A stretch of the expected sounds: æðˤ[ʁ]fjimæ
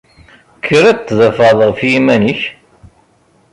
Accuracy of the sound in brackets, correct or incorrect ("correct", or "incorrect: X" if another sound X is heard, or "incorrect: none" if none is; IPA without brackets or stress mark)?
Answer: correct